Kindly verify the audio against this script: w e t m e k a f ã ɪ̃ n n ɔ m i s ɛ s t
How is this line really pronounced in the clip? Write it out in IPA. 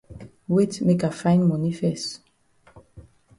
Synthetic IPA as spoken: w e t m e k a f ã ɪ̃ n m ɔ n i f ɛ s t